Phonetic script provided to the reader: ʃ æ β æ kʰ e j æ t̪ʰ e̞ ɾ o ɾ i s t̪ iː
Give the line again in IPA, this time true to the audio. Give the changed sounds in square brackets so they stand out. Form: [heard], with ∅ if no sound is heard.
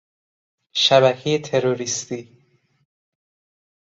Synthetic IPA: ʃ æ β æ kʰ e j [e] t̪ʰ e̞ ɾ o ɾ i s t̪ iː